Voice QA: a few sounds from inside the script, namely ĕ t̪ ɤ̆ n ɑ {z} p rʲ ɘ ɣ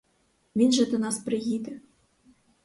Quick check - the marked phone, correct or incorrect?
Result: incorrect